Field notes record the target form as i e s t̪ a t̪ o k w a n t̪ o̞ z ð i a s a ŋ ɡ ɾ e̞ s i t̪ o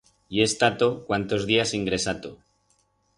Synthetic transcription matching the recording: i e s t̪ a t̪ o k w a n t̪ o̞ z ð i a s i ŋ ɡ ɾ e̞ s a t̪ o